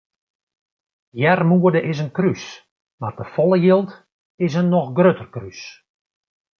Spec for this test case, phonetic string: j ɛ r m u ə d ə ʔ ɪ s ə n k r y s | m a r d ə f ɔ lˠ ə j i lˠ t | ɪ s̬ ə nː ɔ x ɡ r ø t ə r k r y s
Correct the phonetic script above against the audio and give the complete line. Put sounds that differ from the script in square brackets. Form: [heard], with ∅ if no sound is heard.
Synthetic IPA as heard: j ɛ r m u ə d ə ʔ ɪ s ə n k r y s | m a r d ə f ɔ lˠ ə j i lˠ t | ɪ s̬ ə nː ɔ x ɡ r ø t ə r k r y s